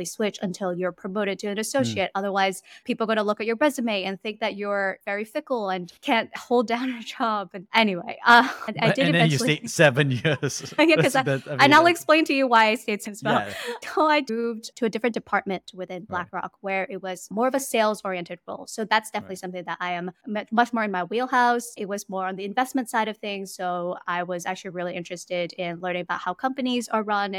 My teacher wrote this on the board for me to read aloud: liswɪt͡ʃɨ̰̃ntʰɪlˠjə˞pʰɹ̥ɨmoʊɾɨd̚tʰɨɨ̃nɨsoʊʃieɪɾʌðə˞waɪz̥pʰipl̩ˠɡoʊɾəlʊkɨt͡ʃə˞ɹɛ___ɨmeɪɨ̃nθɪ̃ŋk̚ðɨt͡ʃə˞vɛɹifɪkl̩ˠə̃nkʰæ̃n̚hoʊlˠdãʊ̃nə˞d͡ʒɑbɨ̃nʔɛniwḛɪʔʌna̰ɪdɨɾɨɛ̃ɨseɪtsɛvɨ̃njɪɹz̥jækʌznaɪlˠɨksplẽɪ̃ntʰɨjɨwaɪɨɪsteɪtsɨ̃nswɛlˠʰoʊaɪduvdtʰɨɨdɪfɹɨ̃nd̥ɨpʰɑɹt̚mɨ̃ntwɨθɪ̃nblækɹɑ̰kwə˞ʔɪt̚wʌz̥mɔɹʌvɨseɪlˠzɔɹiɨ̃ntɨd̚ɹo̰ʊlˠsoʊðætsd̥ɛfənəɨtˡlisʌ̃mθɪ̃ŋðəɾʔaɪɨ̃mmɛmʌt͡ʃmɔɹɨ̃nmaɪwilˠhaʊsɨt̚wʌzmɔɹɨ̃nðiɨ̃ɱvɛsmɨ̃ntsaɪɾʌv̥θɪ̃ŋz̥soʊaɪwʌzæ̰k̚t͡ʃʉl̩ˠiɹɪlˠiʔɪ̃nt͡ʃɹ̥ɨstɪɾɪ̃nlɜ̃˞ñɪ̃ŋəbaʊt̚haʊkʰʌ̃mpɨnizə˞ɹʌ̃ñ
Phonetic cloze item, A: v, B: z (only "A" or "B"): B